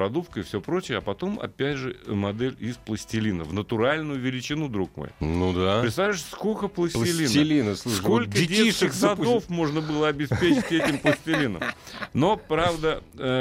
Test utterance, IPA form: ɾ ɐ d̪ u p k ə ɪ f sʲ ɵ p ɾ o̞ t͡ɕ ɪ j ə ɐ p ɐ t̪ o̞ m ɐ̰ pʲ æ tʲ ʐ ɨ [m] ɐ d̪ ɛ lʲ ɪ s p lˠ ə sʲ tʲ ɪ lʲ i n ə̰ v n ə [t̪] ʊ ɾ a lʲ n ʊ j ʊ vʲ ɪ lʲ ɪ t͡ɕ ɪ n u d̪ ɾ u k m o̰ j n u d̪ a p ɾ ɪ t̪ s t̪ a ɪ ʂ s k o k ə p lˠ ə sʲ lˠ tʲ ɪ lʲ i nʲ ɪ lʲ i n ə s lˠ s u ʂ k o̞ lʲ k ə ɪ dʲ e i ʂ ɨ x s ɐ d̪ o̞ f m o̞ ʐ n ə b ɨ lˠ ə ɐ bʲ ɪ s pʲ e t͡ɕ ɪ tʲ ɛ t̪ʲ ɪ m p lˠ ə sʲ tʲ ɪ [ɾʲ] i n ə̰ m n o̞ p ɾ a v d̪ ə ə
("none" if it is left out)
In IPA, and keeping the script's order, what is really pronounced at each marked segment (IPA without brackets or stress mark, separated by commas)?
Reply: m, t̪, lʲ